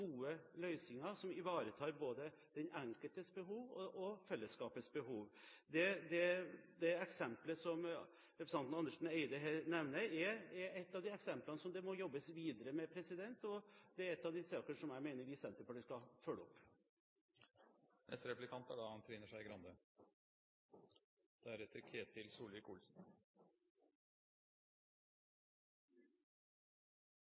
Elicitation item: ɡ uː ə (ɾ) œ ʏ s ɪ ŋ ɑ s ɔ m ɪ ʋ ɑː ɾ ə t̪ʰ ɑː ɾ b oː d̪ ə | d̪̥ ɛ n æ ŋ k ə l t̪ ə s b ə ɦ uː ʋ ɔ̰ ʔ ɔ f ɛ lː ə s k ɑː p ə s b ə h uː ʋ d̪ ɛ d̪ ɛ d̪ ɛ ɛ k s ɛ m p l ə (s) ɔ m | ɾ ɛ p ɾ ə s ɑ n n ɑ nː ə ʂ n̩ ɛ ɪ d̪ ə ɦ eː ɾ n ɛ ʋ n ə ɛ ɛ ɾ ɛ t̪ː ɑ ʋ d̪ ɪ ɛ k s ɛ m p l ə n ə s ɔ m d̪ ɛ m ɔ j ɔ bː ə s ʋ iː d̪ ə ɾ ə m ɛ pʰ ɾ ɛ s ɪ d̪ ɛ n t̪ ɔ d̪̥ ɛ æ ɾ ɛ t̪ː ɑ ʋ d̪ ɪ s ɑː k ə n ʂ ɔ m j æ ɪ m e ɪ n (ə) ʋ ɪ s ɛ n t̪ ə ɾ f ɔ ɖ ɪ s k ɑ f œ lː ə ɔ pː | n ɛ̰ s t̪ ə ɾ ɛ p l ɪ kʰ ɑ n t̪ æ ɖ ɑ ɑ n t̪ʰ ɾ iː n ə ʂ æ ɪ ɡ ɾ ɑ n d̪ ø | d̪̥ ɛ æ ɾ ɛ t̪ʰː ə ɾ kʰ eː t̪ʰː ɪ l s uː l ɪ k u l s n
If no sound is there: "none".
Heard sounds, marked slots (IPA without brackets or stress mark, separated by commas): l, s, ə